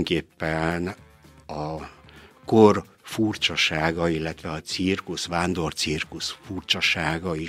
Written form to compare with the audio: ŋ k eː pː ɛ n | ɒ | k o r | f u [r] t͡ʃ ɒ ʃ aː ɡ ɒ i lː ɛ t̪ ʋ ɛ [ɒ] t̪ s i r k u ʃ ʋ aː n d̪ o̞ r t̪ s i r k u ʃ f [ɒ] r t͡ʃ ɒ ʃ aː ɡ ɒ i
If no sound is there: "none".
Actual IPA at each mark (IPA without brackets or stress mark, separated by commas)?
r, ɒ, u